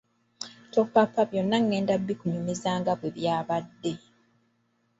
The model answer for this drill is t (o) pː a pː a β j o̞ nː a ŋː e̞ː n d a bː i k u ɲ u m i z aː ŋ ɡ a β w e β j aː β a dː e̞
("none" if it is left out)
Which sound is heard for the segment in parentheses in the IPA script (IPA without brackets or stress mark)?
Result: o